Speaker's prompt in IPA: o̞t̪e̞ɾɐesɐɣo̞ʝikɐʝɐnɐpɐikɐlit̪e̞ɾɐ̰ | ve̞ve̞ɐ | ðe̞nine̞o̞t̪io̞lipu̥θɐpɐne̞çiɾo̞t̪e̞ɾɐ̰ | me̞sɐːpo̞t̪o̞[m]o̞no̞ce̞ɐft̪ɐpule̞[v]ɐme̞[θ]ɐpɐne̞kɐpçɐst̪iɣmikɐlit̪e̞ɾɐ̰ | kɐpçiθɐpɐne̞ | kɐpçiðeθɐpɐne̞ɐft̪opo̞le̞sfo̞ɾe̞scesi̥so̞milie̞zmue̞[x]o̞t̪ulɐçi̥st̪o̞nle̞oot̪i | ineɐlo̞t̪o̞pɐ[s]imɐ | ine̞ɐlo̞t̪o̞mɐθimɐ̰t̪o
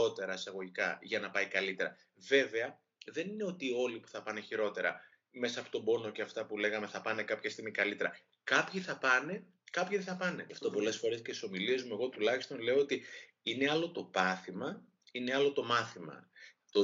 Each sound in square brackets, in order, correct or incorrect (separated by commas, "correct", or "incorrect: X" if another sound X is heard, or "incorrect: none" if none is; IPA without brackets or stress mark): incorrect: b, incorrect: ɣ, correct, incorrect: ɣ, incorrect: θ